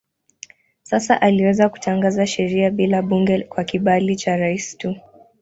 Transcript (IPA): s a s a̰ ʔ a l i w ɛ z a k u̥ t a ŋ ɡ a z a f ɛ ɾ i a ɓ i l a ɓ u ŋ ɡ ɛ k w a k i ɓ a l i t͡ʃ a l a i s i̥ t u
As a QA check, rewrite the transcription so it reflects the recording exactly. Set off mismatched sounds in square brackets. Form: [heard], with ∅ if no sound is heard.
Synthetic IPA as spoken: s a s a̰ ʔ a l i w ɛ z a k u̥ t a ŋ ɡ a z a [ʃ] ɛ ɾ i a ɓ i l a ɓ u ŋ ɡ ɛ k w a k i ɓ a l i t͡ʃ a [ɾ] a i s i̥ t u